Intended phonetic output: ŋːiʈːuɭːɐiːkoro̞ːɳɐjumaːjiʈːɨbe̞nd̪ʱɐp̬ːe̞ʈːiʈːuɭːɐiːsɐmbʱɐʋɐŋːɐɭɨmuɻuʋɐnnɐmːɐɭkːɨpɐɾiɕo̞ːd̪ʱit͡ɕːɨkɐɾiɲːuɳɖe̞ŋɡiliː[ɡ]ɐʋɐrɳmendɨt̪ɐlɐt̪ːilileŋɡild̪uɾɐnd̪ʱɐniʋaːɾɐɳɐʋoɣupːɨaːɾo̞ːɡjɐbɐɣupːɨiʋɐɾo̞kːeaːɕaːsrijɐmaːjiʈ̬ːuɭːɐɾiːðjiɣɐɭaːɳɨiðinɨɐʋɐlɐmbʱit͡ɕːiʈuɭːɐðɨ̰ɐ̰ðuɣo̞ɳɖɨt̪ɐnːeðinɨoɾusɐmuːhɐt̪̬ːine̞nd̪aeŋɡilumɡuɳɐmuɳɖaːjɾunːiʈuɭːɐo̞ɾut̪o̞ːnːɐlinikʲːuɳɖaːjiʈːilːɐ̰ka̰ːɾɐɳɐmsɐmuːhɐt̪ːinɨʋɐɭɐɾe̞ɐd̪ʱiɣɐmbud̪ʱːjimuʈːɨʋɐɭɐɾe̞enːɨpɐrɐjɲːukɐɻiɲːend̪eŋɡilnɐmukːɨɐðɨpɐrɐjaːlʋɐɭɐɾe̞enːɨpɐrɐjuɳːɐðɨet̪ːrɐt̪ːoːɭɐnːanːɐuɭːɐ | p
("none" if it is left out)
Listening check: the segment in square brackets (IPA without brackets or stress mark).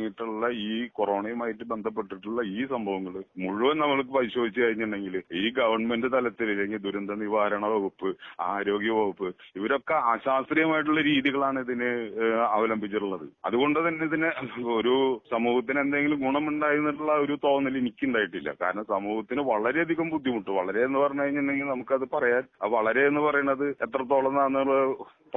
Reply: ɡ